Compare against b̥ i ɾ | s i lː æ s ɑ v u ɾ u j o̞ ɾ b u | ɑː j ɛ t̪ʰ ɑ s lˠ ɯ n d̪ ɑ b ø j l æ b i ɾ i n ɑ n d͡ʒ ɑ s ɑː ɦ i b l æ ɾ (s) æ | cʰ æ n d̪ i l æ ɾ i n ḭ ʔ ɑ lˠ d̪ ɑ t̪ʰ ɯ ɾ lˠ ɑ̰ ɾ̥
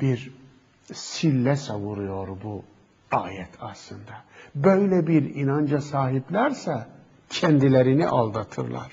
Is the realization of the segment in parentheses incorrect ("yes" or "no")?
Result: no